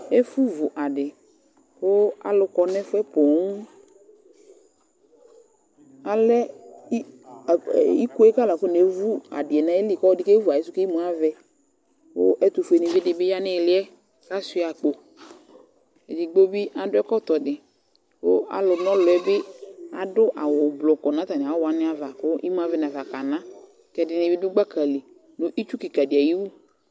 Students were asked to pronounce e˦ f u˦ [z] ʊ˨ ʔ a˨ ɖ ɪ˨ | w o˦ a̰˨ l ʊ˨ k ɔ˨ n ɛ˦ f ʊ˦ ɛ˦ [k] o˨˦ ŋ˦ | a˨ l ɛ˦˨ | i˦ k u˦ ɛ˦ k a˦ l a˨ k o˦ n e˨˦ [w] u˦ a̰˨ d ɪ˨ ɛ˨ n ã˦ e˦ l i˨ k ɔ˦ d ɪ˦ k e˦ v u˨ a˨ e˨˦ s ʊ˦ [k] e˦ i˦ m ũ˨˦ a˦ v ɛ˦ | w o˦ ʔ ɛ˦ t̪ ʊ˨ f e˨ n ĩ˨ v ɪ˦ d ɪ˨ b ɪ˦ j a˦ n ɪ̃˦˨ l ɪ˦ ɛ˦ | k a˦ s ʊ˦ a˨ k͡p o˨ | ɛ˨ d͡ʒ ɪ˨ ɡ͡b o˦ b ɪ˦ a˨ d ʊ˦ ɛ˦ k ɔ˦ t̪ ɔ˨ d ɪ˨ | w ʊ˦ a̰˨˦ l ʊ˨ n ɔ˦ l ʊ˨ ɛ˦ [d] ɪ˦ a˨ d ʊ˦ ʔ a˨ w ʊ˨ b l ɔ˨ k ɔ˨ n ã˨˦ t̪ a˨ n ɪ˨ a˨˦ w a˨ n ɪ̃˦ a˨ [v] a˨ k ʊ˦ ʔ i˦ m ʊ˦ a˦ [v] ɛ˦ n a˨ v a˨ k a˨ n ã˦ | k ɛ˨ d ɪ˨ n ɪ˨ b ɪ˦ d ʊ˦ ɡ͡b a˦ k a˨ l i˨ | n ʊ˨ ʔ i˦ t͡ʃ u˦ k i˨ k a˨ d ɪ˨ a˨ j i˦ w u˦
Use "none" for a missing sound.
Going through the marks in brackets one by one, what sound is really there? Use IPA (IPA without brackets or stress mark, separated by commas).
v, p, v, k, b, v, v